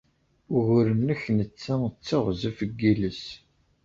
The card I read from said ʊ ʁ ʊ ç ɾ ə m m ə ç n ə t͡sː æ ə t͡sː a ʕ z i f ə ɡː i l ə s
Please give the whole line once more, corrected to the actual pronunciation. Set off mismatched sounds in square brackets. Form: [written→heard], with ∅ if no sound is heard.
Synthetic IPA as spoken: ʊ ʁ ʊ [ç→∅] ɾ ə m [m→n] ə ç n ə t͡sː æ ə t͡sː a [ʕ→ʁ] z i f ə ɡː i l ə s